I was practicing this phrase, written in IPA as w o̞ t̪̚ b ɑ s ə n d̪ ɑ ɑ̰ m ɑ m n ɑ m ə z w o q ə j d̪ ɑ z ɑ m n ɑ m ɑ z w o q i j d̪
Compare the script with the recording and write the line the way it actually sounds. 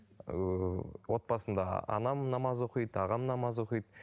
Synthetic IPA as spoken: w o̞ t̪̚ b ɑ s ə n d̪ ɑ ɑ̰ n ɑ m n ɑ m ɑ z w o q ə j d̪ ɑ ʁ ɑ m n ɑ m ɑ z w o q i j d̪